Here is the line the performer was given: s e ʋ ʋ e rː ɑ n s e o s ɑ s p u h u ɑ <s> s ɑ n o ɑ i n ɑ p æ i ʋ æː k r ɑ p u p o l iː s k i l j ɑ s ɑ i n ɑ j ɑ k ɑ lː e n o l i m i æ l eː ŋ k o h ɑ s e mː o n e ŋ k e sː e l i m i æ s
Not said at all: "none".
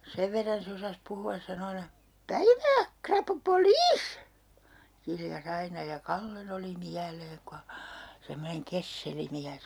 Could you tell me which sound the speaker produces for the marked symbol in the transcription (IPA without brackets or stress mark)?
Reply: s